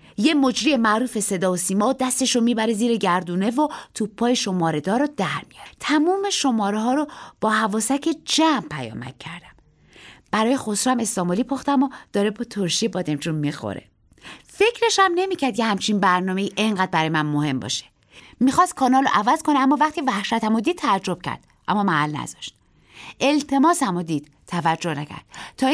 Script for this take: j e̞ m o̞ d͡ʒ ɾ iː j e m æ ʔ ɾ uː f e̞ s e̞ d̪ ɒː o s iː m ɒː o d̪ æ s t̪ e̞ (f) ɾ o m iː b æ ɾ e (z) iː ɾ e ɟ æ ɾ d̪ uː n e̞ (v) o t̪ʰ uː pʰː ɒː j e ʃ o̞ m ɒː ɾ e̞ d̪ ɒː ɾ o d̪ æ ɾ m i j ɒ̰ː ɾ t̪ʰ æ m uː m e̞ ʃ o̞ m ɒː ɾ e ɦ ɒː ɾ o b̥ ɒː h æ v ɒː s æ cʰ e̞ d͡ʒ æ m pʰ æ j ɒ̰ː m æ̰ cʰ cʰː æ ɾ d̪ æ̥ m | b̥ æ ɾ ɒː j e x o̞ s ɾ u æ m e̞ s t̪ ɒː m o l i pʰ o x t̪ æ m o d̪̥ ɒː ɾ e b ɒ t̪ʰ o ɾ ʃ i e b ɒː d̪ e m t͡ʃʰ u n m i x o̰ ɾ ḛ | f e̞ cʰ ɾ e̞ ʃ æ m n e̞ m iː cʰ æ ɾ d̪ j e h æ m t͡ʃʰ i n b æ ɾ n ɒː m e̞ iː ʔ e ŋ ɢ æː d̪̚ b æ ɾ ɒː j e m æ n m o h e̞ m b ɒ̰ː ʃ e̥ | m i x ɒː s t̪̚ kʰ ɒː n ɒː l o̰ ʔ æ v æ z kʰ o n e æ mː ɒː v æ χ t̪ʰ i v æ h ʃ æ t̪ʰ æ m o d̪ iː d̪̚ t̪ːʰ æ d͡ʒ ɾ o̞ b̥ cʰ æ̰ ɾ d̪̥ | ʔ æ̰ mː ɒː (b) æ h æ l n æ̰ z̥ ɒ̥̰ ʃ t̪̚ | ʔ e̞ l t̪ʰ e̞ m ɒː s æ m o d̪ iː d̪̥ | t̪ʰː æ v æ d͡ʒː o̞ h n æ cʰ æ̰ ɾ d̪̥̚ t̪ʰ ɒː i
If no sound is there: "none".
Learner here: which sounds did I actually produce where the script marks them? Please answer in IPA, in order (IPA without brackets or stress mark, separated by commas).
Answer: ʃ, z, v, m